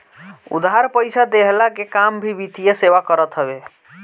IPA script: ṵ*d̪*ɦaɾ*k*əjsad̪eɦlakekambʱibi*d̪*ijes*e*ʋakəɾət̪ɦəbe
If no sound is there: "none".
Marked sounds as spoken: d̪, p, t̪, e

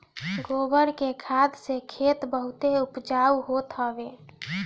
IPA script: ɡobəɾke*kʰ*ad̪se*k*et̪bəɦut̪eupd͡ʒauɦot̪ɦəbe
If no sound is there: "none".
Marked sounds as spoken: kʰ, kʰ

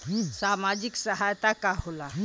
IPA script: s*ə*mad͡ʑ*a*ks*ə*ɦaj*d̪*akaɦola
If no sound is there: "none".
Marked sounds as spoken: a, i, ə, t̪

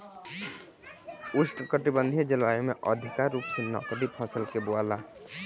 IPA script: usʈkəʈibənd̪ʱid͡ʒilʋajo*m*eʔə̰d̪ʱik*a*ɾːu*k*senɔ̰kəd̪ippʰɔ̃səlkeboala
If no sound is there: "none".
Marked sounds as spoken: m, a, p

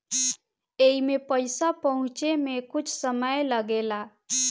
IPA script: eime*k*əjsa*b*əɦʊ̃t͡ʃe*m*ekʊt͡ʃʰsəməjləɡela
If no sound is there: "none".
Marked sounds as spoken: p, p, m

